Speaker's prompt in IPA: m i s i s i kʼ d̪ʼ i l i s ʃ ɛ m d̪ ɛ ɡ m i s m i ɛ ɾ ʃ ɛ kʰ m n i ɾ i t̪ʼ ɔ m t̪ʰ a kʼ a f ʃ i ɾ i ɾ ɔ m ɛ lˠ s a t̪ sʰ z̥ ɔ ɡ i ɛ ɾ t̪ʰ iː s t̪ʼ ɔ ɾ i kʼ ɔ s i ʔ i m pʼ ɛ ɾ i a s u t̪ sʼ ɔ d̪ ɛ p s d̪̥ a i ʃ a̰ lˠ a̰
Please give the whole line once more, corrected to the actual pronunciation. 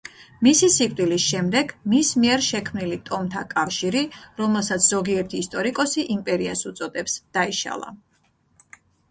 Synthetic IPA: m i s i s i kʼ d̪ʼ i l i s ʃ ɛ m d̪ ɛ ɡ m i s m i ɛ ɾ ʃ ɛ kʰ m n i l i t̪ʼ ɔ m t̪ʰ a kʼ a f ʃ i ɾ i ɾ ɔ m ɛ lˠ s a t̪ sʰ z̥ ɔ ɡ i ɛ ɾ t̪ʰ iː s t̪ʼ ɔ ɾ i kʼ ɔ s i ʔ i m pʼ ɛ ɾ i a s u t̪ sʼ ɔ d̪ ɛ p s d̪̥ a i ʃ a̰ lˠ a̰